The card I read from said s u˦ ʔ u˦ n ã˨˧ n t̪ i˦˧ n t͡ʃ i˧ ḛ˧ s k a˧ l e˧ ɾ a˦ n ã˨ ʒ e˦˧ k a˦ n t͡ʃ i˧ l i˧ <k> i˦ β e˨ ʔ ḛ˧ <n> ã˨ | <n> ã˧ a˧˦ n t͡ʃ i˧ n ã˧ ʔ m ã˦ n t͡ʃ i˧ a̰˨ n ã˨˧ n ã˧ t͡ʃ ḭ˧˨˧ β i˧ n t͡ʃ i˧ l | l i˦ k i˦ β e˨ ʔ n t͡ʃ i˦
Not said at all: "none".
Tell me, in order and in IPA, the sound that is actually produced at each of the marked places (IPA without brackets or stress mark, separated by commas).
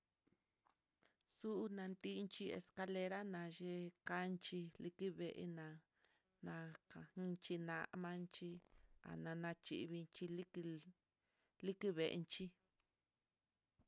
k, n, n